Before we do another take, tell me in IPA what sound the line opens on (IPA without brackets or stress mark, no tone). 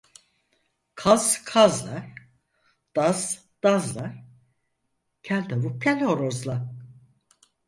kʰ